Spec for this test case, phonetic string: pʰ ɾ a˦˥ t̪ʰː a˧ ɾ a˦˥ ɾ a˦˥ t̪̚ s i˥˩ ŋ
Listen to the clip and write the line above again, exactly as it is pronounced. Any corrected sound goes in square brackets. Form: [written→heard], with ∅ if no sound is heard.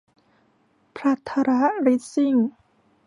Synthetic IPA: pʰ ɾ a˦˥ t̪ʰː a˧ ɾ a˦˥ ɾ [a˦˥→i˦˥] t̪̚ s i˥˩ ŋ